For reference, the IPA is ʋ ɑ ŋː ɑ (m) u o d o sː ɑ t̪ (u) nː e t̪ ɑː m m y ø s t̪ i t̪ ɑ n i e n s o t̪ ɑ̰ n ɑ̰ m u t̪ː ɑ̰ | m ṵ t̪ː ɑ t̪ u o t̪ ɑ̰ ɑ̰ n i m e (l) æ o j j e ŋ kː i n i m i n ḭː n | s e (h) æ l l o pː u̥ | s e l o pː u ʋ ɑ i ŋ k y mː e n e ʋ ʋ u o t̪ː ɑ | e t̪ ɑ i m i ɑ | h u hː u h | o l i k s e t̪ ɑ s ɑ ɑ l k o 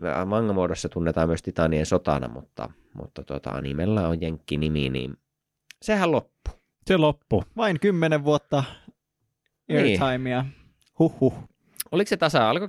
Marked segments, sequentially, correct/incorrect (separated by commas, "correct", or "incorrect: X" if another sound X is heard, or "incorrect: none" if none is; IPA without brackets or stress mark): correct, correct, incorrect: lː, correct